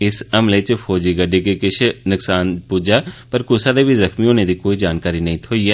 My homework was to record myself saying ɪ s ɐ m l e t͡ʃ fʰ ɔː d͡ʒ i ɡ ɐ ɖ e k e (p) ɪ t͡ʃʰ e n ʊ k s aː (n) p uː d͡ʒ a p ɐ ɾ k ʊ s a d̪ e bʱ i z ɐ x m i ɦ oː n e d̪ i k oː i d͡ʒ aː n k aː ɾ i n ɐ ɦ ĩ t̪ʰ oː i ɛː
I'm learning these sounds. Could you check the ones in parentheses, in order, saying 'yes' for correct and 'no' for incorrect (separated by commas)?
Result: no, yes